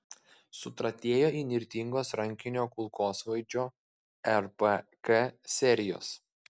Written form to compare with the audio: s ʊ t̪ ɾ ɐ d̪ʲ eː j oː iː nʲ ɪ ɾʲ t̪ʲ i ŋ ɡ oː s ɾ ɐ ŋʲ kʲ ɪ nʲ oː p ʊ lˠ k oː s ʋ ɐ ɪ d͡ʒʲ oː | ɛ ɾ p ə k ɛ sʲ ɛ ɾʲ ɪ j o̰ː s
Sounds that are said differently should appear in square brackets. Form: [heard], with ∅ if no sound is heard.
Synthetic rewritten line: s ʊ t̪ ɾ ɐ [t̪ʲ] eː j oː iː nʲ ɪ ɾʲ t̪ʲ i ŋ ɡ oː s ɾ ɐ ŋʲ kʲ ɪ nʲ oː [k] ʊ lˠ k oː s ʋ ɐ ɪ d͡ʒʲ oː | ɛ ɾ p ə k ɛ sʲ ɛ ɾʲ ɪ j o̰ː s